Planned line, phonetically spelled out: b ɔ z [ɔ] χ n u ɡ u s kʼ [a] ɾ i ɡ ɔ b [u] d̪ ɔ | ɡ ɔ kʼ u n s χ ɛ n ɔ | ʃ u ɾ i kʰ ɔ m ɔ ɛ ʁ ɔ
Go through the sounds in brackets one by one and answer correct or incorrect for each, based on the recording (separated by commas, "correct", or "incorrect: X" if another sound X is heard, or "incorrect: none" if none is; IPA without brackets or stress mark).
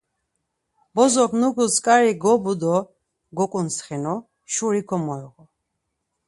correct, correct, correct